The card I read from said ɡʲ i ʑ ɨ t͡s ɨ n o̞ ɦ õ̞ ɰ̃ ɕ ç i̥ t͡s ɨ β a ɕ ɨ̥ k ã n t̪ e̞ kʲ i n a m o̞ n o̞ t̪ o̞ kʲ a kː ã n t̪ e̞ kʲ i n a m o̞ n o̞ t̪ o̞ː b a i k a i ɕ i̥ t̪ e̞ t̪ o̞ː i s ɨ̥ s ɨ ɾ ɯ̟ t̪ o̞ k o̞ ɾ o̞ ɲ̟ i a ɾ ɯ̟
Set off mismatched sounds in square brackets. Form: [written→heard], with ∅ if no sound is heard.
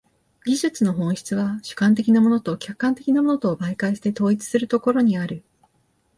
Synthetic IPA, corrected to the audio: ɡʲ i ʑ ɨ t͡s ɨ n o̞ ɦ õ̞ ɰ̃ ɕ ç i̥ t͡s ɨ β a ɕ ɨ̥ k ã n t̪ e̞ kʲ i n a m o̞ n o̞ t̪ o̞ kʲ a kː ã n t̪ e̞ kʲ i n a m o̞ n o̞ t̪ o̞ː b a i k a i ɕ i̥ t̪ e̞ t̪ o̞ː i [s→t͡s] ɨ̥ s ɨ ɾ ɯ̟ t̪ o̞ k o̞ ɾ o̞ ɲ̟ i a ɾ ɯ̟